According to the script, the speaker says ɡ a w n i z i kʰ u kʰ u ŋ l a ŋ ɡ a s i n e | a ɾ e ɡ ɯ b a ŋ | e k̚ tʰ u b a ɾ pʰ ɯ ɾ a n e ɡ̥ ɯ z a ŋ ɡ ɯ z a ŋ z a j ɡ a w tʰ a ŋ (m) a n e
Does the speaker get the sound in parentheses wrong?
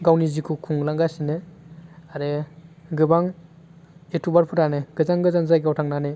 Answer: yes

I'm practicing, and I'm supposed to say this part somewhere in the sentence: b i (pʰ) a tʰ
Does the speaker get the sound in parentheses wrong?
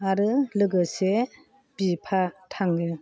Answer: no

